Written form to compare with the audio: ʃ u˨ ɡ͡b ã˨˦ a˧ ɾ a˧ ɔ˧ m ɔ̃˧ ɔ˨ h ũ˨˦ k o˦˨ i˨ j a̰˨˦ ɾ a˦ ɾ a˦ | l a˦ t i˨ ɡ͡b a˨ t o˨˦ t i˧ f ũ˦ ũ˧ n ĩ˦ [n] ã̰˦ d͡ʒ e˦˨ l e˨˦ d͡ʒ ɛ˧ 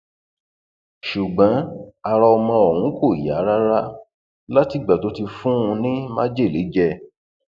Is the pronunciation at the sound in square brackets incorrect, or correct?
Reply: incorrect